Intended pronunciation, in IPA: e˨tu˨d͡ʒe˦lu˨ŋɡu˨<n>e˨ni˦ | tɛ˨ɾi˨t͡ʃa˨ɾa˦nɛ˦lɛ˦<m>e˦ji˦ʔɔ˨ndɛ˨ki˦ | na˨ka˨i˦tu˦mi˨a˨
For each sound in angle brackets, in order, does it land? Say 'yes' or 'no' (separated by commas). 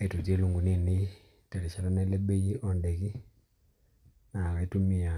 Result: yes, no